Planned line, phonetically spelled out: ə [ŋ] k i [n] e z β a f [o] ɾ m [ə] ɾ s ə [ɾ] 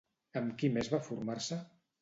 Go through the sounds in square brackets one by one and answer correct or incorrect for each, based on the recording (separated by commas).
incorrect, incorrect, incorrect, incorrect, incorrect